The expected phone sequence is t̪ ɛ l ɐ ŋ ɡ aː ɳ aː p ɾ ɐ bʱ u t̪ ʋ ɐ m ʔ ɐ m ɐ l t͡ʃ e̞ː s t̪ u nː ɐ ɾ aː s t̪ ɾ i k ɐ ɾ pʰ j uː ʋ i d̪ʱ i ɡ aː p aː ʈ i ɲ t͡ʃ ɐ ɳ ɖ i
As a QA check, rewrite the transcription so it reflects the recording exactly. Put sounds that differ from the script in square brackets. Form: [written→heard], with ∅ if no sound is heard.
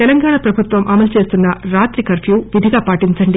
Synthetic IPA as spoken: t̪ ɛ l ɐ ŋ ɡ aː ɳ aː p ɾ ɐ bʱ u t̪ ʋ ɐ m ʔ ɐ m ɐ l t͡ʃ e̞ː s t̪ u nː ɐ ɾ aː [s→∅] t̪ ɾ i k ɐ ɾ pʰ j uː ʋ i d̪ʱ i ɡ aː p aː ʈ i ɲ t͡ʃ ɐ ɳ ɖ i